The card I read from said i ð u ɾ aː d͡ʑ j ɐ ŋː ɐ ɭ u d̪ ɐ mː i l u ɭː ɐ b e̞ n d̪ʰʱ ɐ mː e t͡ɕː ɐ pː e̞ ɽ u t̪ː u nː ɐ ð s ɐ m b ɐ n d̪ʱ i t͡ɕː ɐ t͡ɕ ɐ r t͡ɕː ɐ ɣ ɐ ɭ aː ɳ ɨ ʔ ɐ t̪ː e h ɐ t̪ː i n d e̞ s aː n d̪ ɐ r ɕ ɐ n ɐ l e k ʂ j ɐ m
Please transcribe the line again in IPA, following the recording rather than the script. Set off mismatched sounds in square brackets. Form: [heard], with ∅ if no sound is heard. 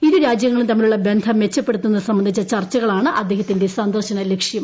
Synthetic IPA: i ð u ɾ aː d͡ʑ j ɐ ŋː ɐ ɭ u [t̪] ɐ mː i l u ɭː ɐ b e̞ n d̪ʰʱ ɐ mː e t͡ɕː ɐ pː e̞ ɽ u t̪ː u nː ɐ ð s ɐ m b ɐ n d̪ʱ i t͡ɕː ɐ t͡ɕ ɐ r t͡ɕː ɐ ɣ ɐ ɭ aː ɳ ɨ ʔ ɐ [d̪ː] e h ɐ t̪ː i n d e̞ s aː n d̪ ɐ r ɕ ɐ n ɐ l e k ʂ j ɐ m